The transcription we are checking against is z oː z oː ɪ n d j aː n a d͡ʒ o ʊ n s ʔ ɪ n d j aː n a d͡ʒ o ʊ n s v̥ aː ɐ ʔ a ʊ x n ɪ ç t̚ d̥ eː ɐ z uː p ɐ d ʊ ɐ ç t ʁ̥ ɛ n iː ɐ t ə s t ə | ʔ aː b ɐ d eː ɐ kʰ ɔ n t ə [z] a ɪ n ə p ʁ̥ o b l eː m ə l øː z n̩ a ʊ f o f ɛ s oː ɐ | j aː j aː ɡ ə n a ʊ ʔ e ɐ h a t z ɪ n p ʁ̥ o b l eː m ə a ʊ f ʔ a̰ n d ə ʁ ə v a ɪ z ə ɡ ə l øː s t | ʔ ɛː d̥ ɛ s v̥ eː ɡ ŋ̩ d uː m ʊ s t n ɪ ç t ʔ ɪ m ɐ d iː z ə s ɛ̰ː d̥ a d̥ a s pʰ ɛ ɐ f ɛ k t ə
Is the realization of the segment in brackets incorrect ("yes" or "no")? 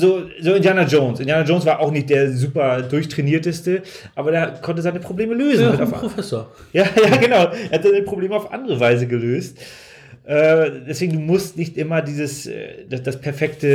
no